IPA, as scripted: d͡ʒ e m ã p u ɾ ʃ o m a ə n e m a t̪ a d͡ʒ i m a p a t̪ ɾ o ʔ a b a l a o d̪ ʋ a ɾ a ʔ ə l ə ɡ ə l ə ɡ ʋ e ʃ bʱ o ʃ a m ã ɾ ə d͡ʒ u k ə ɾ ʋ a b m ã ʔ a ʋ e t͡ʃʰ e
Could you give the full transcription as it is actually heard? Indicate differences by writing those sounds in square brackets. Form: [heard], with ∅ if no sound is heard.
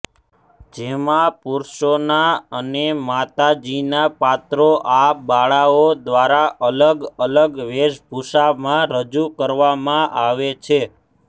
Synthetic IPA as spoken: d͡ʒ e m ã p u ɾ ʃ o [n] a ə n e m a t̪ a d͡ʒ i [n] a p a t̪ ɾ o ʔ a b a [ɭ] a o d̪ ʋ a ɾ a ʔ ə l ə ɡ ə l ə ɡ ʋ e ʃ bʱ [u] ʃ a m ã ɾ ə d͡ʒ u k ə ɾ ʋ a [∅] m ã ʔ a ʋ e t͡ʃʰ e